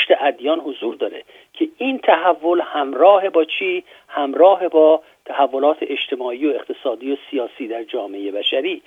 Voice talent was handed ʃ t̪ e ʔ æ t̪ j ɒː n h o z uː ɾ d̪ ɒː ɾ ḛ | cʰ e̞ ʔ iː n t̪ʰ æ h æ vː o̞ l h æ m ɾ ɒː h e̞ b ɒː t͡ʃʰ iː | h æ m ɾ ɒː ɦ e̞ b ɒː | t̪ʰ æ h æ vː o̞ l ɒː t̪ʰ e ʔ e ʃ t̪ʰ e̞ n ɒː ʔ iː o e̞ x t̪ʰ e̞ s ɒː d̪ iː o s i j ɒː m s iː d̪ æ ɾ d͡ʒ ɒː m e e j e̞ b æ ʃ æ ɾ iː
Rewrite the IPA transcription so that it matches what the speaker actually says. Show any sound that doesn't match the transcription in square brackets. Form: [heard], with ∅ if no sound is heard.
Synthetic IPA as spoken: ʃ t̪ e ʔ æ [d̪] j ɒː n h o z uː ɾ d̪ ɒː ɾ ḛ | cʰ e̞ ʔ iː n t̪ʰ æ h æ vː o̞ l h æ m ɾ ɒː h e̞ b ɒː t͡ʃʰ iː | h æ m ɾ ɒː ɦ e̞ b ɒː | t̪ʰ æ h æ vː o̞ l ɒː t̪ʰ e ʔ e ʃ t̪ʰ e̞ [m] ɒː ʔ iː o e̞ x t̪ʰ e̞ s ɒː d̪ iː o s i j ɒː [∅] s iː d̪ æ ɾ d͡ʒ ɒː m e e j e̞ b æ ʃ æ ɾ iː